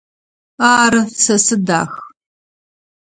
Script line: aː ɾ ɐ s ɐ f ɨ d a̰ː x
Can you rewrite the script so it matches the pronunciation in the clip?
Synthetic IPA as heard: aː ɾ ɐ s ɐ s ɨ d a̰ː x